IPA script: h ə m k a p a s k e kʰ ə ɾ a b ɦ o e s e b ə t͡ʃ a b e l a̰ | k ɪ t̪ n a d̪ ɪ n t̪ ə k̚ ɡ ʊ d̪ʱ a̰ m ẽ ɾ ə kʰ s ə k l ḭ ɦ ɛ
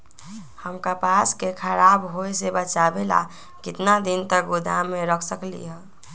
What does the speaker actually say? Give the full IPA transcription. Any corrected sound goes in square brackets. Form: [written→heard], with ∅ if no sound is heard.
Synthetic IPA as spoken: h ə m k a p a s k e kʰ ə ɾ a b ɦ o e s e b ə t͡ʃ a b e l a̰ | k ɪ t̪ n a d̪ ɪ n t̪ ə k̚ ɡ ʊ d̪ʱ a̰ m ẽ ɾ ə kʰ s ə k l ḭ ɦ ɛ